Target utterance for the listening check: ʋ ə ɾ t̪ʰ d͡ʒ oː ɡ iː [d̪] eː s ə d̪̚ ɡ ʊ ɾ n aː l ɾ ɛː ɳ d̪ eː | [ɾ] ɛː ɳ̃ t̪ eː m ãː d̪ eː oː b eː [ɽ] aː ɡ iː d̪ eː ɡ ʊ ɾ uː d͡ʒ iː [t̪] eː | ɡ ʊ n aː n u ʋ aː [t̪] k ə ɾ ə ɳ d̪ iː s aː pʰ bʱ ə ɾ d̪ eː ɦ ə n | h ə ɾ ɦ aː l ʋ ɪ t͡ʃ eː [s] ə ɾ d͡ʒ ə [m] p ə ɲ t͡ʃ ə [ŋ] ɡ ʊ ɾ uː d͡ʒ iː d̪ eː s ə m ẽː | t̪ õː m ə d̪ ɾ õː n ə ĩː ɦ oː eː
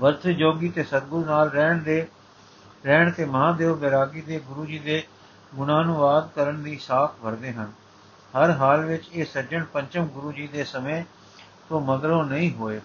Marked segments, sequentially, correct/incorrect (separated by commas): incorrect, correct, incorrect, incorrect, incorrect, correct, incorrect, incorrect